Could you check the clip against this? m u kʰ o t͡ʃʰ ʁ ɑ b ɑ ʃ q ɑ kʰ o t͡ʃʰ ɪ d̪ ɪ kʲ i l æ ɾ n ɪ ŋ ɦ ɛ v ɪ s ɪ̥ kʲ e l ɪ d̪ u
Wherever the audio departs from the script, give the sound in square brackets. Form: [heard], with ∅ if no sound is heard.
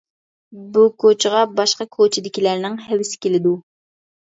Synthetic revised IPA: [b] u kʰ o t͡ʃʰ ʁ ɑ b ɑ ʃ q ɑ kʰ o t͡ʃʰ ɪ d̪ ɪ kʲ i l æ ɾ n ɪ ŋ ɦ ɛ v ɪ s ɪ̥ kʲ e l ɪ d̪ u